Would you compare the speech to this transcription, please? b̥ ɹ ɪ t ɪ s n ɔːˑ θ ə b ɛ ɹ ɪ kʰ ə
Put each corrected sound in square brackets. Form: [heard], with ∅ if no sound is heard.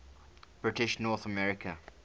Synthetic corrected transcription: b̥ ɹ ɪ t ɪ [ʃ] n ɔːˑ θ ə [m] ɛ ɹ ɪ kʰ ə